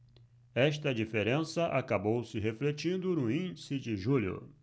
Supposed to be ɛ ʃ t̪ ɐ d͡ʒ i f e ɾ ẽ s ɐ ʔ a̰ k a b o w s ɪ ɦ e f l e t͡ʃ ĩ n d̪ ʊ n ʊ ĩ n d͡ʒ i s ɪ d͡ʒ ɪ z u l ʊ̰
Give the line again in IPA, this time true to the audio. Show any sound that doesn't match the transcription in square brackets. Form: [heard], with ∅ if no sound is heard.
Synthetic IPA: ɛ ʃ t̪ ɐ d͡ʒ i f e ɾ ẽ s ɐ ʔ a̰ k a b o w s ɪ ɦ e f l e t͡ʃ ĩ n d̪ ʊ n ʊ ĩ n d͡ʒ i s ɪ d͡ʒ ɪ [ʒ] u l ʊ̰